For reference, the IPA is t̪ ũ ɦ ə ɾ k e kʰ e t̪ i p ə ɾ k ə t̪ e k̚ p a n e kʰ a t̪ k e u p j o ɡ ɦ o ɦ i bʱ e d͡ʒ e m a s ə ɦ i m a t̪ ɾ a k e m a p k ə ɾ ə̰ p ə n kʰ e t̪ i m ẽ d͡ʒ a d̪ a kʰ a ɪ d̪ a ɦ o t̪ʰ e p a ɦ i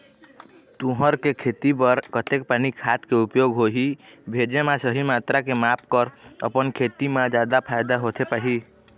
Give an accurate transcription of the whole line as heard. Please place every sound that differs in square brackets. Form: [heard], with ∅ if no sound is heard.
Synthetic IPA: t̪ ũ ɦ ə ɾ k e kʰ e t̪ i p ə ɾ k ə t̪ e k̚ p a n [i] kʰ a t̪ k e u p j o ɡ ɦ o ɦ i bʱ e d͡ʒ e m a s ə ɦ i m a t̪ ɾ a k e m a p k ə ɾ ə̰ p ə n kʰ e t̪ i m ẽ d͡ʒ a d̪ a [pʰ] a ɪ d̪ a ɦ o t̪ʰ e p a ɦ i